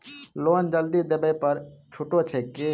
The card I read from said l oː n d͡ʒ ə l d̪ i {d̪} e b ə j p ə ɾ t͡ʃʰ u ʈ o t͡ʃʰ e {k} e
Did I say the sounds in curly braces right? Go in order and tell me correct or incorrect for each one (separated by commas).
correct, correct